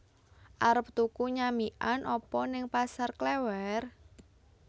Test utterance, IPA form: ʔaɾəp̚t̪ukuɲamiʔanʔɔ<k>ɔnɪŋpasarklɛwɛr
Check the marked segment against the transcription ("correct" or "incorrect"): incorrect